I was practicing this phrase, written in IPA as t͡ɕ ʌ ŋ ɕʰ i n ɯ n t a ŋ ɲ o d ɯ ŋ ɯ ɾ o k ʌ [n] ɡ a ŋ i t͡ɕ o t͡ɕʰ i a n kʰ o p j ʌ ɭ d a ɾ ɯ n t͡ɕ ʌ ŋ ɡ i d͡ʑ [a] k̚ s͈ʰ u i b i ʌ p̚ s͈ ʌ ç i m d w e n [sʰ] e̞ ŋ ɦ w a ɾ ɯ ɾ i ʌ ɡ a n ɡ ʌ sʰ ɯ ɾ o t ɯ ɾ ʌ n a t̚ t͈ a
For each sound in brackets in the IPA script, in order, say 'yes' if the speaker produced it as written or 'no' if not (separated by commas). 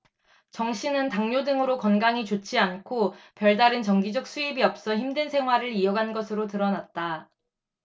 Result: yes, no, yes